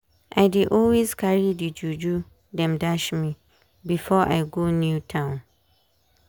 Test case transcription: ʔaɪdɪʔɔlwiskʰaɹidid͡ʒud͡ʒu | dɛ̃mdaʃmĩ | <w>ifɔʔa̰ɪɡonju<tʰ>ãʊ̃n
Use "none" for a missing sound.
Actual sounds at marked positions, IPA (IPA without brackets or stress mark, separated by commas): b, tʰ